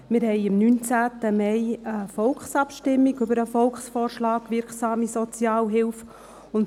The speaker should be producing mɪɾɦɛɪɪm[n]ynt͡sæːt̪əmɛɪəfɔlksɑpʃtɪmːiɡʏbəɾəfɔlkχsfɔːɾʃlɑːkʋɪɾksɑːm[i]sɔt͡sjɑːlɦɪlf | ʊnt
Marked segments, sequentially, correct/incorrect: correct, correct

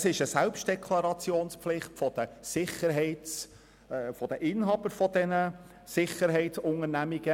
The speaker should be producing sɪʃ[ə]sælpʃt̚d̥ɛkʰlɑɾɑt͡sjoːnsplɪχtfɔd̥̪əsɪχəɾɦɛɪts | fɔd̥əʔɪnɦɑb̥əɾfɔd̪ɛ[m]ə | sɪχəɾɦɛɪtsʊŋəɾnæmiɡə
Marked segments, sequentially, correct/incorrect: correct, incorrect: n

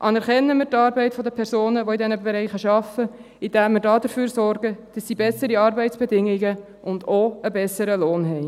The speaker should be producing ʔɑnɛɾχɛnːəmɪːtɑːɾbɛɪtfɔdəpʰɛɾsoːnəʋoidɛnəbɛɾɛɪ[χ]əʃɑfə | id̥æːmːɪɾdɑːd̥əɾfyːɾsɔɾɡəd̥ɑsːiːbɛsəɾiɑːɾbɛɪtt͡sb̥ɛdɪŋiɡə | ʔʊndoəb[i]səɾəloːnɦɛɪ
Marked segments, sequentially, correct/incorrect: correct, incorrect: ɛ

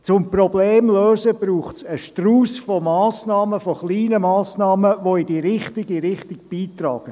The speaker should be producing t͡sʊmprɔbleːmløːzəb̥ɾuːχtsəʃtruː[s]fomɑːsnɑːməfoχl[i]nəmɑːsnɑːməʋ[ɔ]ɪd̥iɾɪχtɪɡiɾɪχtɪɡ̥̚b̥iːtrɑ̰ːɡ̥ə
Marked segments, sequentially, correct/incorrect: correct, incorrect: iː, incorrect: o

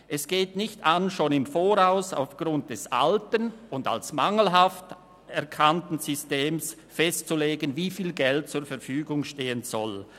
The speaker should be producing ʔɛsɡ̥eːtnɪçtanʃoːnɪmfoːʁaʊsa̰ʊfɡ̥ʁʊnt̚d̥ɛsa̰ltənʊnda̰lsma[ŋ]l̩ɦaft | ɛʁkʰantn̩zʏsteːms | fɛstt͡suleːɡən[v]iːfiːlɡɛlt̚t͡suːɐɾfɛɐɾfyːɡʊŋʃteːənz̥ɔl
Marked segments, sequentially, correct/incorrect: correct, correct

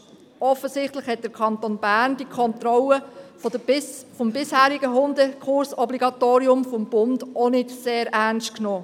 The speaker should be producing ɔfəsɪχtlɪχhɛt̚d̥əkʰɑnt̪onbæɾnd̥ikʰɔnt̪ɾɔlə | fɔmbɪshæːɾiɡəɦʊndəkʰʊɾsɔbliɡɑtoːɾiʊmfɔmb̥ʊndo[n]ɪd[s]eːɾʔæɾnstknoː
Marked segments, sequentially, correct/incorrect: correct, correct

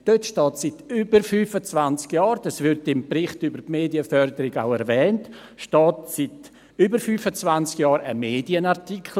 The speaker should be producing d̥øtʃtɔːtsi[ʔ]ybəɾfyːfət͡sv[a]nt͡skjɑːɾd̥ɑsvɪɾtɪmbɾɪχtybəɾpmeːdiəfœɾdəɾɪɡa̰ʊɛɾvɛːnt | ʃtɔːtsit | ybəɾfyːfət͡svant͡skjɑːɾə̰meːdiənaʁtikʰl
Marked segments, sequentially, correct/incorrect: incorrect: t, correct

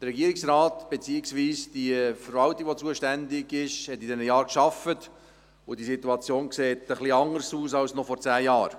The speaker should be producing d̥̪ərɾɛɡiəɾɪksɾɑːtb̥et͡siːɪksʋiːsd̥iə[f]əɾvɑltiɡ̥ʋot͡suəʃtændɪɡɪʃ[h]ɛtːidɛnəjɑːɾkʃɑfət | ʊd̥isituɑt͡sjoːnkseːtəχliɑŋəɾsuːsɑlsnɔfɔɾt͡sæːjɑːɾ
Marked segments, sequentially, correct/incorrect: correct, correct

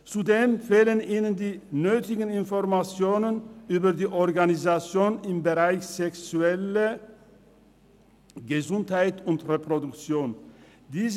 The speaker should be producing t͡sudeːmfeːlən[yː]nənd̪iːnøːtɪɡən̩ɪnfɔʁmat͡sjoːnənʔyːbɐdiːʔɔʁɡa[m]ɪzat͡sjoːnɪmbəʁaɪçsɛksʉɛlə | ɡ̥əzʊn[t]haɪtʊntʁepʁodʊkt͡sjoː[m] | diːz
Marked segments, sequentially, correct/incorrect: incorrect: iː, incorrect: n, correct, incorrect: n

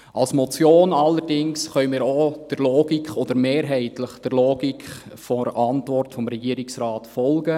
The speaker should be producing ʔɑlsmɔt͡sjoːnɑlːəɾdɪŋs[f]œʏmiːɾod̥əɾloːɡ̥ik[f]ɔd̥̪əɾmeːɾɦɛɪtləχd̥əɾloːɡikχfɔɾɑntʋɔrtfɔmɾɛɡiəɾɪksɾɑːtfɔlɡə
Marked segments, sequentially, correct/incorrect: incorrect: χ, incorrect: χ

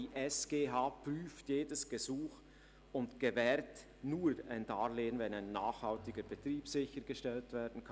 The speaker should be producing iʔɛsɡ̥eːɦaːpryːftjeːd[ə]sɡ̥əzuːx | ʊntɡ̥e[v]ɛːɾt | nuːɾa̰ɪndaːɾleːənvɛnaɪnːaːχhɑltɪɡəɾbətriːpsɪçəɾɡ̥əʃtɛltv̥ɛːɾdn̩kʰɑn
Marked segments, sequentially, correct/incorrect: correct, correct

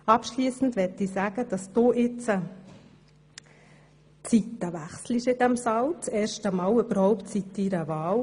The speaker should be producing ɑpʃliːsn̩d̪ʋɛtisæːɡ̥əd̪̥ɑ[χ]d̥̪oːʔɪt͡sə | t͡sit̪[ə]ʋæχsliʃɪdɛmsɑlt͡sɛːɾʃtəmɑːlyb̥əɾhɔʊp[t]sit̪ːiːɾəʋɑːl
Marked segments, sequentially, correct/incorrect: incorrect: s, correct, correct

